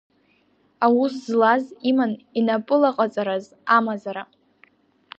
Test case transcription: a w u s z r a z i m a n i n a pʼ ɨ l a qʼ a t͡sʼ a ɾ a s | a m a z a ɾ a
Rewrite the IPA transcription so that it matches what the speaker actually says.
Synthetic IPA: a w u s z l a z i m a n i n a pʼ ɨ l a qʼ a t͡sʼ a ɾ a z | a m a z a ɾ a